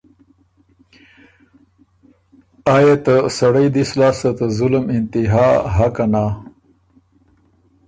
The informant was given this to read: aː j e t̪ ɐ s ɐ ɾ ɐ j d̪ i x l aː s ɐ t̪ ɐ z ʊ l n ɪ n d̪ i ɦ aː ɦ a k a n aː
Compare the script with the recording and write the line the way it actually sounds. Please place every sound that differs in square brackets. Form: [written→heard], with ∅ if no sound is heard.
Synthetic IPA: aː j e t̪ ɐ s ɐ [ɾ→ɽ] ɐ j d̪ i [x→s] l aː s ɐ t̪ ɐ z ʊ l [n→m] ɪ n [d̪→t̪] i ɦ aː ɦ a k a n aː